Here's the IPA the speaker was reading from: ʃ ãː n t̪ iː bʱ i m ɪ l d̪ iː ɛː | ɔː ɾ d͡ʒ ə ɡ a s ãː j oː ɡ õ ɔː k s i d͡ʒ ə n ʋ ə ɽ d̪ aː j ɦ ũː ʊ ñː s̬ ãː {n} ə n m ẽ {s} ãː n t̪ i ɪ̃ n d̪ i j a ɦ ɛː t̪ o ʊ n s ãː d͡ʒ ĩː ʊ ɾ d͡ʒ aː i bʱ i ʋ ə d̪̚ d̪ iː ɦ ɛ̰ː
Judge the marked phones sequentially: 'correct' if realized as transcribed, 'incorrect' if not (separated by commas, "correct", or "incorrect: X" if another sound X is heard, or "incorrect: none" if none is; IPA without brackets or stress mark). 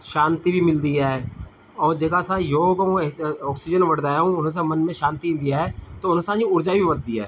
incorrect: m, incorrect: ʃ